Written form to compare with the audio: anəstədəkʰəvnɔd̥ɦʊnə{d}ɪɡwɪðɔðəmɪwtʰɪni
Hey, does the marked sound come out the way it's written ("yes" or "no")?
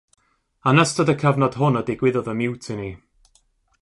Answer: yes